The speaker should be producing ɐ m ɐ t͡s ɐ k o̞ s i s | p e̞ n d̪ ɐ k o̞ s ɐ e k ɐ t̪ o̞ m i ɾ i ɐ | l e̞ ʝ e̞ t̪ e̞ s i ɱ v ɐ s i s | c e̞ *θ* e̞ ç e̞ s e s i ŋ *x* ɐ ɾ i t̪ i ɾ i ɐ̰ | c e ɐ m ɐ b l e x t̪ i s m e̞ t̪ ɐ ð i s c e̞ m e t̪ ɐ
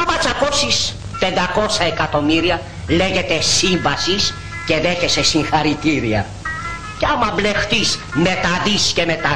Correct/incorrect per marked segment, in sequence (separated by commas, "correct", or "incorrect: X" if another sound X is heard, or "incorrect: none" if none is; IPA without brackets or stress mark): incorrect: ð, correct